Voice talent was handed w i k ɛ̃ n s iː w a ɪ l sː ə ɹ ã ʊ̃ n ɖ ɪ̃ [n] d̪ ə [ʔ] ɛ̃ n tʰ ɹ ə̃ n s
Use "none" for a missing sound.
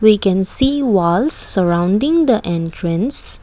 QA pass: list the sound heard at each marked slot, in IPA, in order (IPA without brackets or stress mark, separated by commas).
ŋ, ʔ